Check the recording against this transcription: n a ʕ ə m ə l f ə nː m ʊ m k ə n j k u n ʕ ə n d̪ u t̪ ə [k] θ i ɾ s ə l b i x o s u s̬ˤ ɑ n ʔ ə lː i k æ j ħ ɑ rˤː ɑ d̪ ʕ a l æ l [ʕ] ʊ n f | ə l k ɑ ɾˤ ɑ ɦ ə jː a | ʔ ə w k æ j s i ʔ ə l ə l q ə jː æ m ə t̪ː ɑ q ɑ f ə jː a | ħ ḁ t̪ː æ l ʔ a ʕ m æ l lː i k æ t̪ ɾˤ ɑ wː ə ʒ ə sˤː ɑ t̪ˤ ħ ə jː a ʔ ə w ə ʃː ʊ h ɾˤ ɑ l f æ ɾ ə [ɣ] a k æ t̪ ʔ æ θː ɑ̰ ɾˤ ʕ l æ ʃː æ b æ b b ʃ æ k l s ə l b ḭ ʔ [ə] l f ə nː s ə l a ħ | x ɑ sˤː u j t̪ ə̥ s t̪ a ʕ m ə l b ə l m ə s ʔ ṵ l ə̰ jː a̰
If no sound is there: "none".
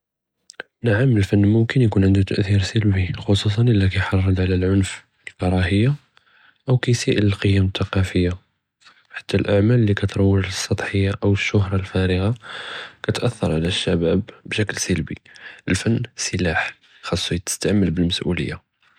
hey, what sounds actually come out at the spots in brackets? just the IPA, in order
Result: ʔ, ʕ, ɣ, ə

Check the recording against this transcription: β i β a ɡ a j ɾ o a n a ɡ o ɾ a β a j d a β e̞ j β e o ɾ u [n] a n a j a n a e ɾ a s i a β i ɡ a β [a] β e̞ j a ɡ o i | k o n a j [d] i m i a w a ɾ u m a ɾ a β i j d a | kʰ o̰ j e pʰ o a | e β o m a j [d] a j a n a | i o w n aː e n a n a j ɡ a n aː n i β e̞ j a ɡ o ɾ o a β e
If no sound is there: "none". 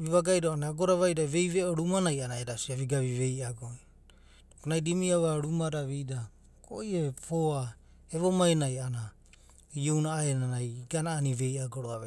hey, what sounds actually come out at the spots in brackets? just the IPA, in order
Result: m, i, d, n

